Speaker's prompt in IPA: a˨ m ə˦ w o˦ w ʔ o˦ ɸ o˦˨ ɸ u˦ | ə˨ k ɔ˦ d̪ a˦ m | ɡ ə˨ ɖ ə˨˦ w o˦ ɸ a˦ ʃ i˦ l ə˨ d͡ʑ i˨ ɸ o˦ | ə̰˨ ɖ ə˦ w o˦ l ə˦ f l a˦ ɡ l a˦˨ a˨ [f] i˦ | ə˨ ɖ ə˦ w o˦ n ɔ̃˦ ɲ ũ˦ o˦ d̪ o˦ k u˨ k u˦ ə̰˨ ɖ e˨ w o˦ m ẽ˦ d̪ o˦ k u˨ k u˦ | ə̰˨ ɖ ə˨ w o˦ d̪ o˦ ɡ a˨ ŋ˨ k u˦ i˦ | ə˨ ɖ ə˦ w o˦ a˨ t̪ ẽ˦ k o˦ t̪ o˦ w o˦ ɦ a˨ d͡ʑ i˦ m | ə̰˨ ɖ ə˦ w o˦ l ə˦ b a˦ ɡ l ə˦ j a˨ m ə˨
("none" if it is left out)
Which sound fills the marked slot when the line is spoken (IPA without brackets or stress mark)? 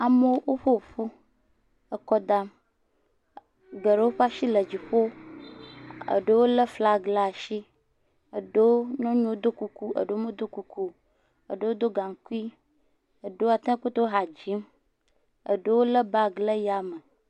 ʃ